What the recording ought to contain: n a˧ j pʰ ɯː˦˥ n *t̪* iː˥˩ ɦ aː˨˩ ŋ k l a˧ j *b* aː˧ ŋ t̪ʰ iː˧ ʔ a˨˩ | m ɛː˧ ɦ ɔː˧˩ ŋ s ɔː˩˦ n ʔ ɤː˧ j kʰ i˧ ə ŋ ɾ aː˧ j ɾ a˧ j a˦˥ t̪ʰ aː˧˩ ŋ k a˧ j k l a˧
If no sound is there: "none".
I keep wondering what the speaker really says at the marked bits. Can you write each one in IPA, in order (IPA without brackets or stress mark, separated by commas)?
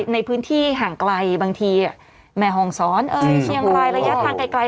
t̪ʰ, b